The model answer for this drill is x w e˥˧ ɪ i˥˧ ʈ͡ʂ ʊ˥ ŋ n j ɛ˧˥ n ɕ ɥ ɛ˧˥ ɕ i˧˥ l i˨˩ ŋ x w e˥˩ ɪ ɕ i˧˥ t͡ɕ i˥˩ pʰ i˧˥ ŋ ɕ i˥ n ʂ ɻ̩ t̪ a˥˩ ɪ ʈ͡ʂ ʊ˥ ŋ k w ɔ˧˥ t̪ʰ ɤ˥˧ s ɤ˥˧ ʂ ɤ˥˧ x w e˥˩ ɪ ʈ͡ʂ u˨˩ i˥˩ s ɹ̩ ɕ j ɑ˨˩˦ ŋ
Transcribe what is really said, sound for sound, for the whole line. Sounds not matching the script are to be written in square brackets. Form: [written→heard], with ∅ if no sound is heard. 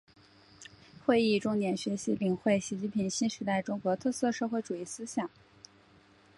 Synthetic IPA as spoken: x w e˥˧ ɪ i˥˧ ʈ͡ʂ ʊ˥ ŋ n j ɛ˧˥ n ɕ ɥ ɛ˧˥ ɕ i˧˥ l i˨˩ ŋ x w e˥˩ ɪ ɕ i˧˥ t͡ɕ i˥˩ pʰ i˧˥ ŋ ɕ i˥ n ʂ ɻ̩ t̪ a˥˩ ɪ ʈ͡ʂ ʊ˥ ŋ k w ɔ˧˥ t̪ʰ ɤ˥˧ s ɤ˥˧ ʂ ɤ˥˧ x w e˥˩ ɪ ʈ͡ʂ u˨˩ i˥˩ s ɹ̩ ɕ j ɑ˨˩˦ ŋ